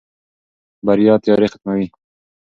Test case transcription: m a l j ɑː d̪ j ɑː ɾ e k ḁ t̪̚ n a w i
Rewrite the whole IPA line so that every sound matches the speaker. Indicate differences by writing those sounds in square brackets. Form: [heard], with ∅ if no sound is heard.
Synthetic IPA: [b] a [ɾ] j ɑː [t̪] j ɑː ɾ e [x] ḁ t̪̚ [m] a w i